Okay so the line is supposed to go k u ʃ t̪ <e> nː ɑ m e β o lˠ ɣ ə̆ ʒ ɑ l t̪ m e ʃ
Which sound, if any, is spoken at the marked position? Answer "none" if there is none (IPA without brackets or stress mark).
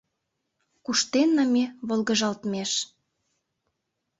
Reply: e